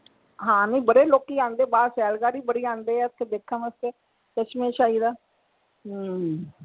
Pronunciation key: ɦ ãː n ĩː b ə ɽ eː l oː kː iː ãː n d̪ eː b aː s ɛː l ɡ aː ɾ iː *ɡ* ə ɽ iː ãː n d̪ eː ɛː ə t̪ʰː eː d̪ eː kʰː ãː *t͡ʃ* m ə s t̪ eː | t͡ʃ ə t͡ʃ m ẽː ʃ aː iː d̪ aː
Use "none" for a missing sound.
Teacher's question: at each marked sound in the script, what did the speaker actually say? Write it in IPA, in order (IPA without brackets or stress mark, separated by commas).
b, none